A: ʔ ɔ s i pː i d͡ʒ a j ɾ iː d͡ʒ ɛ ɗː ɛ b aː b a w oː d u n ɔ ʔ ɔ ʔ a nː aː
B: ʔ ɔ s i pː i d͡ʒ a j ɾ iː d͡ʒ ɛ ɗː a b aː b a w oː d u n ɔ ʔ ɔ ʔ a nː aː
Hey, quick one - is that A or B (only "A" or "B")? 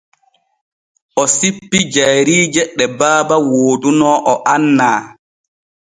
A